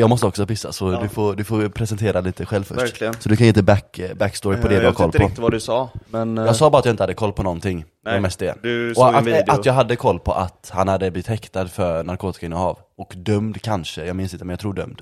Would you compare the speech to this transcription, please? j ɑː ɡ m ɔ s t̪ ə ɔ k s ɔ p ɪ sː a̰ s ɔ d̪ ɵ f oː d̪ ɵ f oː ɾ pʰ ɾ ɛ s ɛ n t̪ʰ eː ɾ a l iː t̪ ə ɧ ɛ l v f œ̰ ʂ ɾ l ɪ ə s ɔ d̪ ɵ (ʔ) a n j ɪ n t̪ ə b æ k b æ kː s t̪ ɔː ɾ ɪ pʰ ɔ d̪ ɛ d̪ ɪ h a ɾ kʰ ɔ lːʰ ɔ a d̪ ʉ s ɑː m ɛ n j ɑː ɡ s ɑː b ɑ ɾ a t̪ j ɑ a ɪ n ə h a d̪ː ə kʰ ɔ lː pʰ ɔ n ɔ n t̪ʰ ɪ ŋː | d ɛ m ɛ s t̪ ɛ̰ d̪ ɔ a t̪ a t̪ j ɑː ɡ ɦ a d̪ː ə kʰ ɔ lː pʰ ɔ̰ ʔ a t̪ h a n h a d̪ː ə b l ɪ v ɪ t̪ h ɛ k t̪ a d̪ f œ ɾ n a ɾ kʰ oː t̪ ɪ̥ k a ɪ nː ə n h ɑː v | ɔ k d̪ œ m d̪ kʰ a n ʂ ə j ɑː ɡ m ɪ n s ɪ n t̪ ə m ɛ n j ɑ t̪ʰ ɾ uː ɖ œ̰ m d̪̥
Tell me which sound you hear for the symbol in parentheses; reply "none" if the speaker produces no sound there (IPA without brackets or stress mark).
k